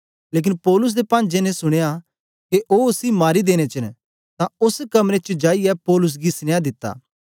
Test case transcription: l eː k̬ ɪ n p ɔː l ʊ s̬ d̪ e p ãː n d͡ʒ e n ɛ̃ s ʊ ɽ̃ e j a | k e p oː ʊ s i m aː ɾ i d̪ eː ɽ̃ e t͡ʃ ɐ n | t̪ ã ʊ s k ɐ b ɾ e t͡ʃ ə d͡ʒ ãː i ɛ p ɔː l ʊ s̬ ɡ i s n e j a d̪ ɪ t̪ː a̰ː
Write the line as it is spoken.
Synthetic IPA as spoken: l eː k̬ ɪ n p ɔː l ʊ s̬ d̪ e p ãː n d͡ʒ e n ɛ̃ s ʊ ɽ̃ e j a | k e ʔ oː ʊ s i m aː ɾ i d̪ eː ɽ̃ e t͡ʃ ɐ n | t̪ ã ʊ s k ɐ m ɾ e t͡ʃ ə d͡ʒ aː i ɛ p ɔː l ʊ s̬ ɡ i s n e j a d̪ ɪ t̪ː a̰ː